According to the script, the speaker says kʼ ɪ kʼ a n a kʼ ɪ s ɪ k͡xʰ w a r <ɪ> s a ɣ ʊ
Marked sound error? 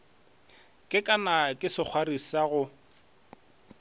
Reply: yes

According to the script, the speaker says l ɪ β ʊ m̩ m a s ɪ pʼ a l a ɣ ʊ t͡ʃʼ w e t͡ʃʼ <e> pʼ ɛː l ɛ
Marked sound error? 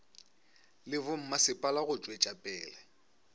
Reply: yes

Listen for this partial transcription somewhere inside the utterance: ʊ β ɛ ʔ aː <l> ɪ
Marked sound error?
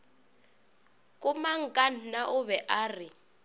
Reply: yes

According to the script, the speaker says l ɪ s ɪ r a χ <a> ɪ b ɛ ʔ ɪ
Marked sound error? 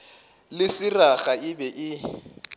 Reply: no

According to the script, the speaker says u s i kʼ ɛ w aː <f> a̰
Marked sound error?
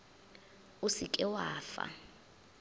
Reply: no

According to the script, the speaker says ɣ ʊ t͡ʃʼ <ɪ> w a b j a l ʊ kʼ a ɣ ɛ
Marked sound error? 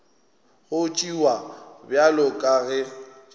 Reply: yes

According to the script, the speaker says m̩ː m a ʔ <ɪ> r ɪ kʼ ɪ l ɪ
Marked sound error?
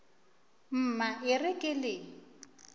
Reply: no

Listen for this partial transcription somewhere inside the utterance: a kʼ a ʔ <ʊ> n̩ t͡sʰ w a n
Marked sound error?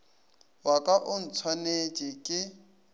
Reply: no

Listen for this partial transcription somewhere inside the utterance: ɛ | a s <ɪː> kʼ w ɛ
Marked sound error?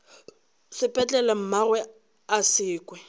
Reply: no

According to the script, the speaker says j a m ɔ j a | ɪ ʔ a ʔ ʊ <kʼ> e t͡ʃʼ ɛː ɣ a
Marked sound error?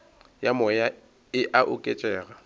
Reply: no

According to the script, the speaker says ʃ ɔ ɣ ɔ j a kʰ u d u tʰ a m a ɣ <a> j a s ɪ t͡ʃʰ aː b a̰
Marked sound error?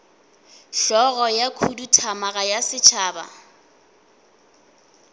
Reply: no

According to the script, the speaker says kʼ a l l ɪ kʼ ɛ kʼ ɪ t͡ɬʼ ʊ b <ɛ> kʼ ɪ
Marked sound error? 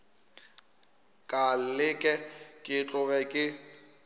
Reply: no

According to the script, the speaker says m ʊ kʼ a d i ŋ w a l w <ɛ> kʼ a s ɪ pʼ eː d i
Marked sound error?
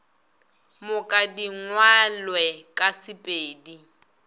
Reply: no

